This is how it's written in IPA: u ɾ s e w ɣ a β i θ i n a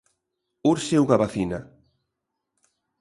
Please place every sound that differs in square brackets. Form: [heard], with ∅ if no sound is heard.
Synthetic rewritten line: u ɾ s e w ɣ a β [a] θ i n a